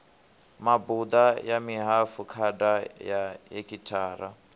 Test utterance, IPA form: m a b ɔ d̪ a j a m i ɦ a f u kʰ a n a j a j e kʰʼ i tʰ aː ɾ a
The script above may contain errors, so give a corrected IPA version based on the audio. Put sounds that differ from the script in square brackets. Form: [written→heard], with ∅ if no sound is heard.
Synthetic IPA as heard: m a b [ɔ→u] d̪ a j a m i ɦ a f u kʰ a [n→d] a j a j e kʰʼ i tʰ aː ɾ a